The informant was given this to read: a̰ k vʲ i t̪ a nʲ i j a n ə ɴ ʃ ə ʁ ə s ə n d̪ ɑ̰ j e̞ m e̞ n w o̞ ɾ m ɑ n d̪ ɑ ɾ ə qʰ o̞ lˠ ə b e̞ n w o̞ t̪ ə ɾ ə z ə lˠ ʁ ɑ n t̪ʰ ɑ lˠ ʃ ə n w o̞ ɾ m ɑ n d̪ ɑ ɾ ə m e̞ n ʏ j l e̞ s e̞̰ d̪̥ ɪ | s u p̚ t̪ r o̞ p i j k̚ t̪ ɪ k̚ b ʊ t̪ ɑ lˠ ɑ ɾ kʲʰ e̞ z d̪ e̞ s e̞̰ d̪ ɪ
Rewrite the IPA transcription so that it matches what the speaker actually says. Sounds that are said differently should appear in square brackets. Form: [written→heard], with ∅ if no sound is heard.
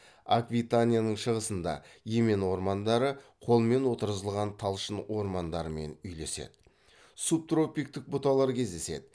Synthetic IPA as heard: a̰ k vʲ i t̪ a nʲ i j a n ə ɴ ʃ ə ʁ ə s ə n d̪ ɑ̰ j e̞ m e̞ n w o̞ ɾ m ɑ n d̪ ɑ ɾ ə qʰ o̞ lˠ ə [b→m] e̞ n w o̞ t̪ ə ɾ ə z ə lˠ ʁ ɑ n t̪ʰ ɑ lˠ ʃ ə n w o̞ ɾ m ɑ n d̪ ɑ ɾ ə m e̞ n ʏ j l e̞ s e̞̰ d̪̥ ɪ | s u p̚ t̪ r o̞ p i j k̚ t̪ ɪ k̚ b ʊ t̪ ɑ lˠ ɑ ɾ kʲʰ e̞ z d̪ e̞ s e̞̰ d̪ ɪ